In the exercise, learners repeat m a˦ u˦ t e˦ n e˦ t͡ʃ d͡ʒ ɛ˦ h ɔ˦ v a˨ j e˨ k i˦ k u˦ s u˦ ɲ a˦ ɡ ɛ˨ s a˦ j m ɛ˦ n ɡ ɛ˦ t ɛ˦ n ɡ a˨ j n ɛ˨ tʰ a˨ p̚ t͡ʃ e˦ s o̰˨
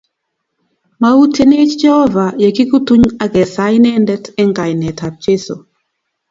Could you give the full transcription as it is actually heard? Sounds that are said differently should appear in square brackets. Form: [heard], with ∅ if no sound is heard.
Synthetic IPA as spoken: m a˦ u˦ t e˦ n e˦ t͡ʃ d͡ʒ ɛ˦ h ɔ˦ v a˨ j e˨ k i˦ k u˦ [t] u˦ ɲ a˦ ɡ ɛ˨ s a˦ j [n] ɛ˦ n [d] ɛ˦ t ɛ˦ [ŋ] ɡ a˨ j n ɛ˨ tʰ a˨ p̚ t͡ʃ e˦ s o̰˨